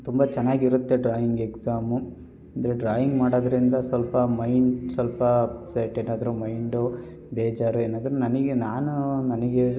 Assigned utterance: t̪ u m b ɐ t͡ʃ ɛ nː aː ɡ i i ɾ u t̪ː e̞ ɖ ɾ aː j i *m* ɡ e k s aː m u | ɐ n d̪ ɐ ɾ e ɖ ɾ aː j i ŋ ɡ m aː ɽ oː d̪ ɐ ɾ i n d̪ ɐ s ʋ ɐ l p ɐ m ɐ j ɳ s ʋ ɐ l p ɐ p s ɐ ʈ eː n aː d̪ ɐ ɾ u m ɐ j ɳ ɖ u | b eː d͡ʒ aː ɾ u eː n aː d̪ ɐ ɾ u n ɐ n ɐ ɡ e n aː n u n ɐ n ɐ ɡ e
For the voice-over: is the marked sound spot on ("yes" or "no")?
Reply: no